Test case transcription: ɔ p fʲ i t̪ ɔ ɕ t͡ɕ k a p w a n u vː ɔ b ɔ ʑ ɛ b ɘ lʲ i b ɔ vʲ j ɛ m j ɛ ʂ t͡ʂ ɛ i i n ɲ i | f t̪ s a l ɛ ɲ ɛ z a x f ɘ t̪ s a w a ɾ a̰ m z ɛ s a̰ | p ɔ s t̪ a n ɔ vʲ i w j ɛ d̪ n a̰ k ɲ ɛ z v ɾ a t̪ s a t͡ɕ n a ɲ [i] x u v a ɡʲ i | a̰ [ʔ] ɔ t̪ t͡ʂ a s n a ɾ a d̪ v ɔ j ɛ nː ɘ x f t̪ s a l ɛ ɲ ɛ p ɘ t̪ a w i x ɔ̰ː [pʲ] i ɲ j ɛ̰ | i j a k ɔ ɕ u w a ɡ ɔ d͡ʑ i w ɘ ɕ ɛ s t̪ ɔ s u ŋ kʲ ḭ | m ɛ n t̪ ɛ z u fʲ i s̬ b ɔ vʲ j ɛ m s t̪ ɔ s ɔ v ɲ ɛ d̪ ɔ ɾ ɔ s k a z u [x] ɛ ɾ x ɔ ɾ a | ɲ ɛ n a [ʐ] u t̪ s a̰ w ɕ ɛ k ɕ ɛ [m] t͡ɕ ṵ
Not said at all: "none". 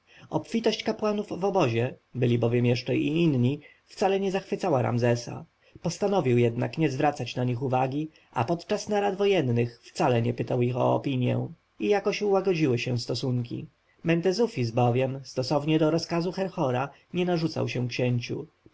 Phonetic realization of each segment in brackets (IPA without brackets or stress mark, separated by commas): i, p, pʲ, x, ʐ, ɲ